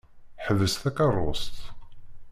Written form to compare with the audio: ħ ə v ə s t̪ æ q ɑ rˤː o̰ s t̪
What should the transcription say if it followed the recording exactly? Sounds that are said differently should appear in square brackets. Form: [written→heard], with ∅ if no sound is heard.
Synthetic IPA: ħ ə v ə s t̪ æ [q→k] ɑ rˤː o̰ s t̪